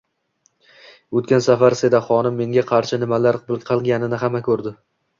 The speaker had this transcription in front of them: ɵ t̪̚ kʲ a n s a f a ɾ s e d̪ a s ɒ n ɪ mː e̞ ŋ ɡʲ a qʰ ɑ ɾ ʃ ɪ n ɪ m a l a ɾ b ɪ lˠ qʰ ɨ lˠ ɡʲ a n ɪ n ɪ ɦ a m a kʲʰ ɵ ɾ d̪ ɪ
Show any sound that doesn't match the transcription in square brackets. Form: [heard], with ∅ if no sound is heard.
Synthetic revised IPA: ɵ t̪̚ kʲ a n s a f a ɾ s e d̪ a [χ] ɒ n ɪ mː e̞ ŋ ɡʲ a qʰ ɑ ɾ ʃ ɪ n ɪ m a l a ɾ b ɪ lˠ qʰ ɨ lˠ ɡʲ a n ɪ n ɪ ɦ a m a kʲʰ ɵ ɾ d̪ ɪ